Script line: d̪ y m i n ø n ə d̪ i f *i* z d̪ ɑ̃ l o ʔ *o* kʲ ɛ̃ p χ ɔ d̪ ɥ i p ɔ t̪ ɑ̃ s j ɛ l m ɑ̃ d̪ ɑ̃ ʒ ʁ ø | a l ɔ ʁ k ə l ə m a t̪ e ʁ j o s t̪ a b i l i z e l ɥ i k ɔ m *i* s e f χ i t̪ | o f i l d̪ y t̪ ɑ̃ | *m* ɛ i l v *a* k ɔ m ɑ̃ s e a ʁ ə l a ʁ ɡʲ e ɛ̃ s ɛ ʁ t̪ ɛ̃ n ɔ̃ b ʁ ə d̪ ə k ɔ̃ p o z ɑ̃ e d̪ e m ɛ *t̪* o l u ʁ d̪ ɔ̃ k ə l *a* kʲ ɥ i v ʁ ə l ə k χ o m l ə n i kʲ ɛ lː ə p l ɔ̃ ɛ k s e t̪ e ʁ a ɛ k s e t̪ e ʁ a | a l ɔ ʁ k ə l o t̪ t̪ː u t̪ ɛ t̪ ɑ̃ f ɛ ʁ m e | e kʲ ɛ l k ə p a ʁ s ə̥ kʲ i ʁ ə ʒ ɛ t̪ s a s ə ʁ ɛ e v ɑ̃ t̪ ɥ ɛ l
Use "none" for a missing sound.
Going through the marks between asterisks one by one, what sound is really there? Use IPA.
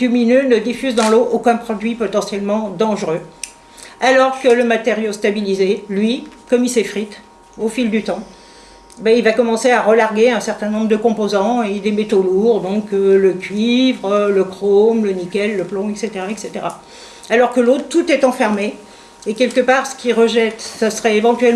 y, o, i, b, a, t̪, ə

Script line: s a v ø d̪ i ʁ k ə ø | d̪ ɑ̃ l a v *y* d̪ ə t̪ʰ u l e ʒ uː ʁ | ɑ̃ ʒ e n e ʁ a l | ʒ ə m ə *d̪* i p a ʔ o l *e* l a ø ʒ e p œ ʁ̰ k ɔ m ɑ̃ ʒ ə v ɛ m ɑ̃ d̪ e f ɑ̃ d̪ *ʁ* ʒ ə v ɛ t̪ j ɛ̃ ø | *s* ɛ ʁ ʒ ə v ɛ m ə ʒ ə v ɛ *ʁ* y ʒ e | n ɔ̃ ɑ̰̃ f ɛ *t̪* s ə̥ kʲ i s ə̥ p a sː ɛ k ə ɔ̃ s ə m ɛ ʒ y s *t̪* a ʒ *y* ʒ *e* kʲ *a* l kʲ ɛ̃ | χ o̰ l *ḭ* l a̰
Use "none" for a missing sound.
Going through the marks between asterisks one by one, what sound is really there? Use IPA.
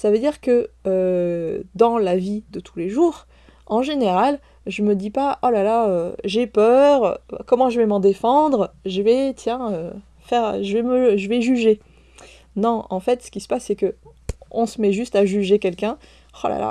i, d̪, a, ʁ, f, ʒ, t̪, t̪, y, e, ɛ, a̰

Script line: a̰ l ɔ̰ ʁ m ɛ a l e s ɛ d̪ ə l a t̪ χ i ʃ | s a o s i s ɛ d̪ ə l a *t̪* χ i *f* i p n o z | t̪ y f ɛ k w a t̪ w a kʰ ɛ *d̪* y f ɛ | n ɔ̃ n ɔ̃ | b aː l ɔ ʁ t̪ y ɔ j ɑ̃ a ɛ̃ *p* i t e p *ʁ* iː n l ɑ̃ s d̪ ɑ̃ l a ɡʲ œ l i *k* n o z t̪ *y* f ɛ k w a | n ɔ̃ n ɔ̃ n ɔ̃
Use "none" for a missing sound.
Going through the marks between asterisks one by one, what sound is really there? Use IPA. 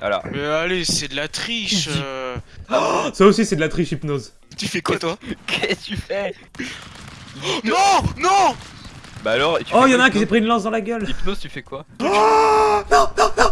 t̪, ʃ, t̪, k, χ, p, y

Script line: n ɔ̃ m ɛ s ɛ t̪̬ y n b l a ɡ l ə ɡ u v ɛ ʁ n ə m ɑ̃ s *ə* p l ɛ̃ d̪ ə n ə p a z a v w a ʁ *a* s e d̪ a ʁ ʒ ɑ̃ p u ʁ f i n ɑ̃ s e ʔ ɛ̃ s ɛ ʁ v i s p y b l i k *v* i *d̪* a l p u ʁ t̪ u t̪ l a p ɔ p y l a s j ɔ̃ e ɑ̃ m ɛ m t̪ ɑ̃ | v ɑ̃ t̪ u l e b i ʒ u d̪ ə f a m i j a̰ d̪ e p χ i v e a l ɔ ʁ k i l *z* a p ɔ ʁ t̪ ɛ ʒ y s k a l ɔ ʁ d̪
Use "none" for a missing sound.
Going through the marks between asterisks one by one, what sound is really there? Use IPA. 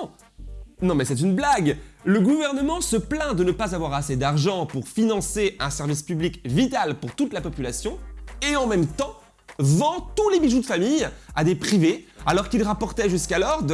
ə, a, v, t̪, ʁ

